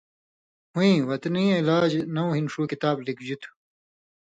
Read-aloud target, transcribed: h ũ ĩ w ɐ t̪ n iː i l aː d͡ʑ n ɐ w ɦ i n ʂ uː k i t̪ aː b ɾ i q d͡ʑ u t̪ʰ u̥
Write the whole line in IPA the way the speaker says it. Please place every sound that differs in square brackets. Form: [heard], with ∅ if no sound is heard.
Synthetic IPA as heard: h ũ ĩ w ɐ t̪ n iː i l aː d͡ʑ n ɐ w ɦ i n ʂ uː k i t̪ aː b [l] i [k] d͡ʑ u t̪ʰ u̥